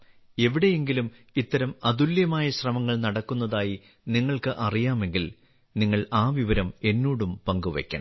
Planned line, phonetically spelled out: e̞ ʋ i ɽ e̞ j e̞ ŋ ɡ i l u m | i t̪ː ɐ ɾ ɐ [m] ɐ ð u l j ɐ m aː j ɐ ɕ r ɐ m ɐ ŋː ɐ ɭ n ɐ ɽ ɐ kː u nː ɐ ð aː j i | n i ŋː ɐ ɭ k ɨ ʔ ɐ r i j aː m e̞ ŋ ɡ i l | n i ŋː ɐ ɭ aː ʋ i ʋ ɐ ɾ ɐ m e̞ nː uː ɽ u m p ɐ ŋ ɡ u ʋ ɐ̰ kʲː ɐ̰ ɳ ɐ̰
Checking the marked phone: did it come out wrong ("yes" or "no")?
no